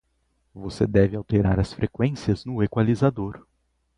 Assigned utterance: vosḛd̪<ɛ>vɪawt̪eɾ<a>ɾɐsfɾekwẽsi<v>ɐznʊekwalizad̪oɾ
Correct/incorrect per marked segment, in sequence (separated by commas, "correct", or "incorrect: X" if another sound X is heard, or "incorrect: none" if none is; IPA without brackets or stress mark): correct, correct, incorrect: none